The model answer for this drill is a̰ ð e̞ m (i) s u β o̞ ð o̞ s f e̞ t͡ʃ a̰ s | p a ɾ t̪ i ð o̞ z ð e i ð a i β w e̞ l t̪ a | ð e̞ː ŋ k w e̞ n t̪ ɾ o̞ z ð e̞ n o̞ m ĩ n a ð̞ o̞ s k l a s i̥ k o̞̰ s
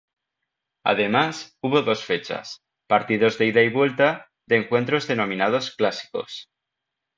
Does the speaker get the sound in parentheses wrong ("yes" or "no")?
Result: yes